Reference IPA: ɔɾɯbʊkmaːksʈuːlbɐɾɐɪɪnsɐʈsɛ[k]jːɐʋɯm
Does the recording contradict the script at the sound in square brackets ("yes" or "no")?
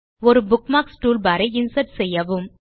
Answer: yes